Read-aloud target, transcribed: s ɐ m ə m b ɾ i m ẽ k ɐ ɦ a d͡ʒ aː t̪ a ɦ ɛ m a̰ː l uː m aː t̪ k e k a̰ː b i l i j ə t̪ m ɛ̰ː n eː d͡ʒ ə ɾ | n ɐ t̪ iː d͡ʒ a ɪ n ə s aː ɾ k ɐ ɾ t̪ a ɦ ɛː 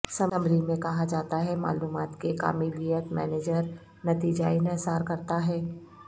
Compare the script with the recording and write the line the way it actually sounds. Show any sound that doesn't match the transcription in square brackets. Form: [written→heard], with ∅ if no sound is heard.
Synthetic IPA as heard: s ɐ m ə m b ɾ i m ẽ k ɐ ɦ a d͡ʒ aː t̪ a ɦ ɛ m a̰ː l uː m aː t̪ k e k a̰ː [b→m] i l i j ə t̪ m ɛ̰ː n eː d͡ʒ ə ɾ | n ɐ t̪ iː d͡ʒ a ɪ n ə s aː ɾ k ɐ ɾ t̪ a ɦ ɛː